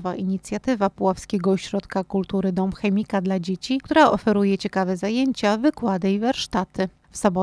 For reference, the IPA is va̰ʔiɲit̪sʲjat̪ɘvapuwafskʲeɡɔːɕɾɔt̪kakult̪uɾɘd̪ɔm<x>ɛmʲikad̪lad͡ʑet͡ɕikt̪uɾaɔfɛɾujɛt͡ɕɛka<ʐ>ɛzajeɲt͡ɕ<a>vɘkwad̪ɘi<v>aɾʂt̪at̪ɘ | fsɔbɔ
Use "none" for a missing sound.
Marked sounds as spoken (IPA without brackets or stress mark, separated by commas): x, v, a, v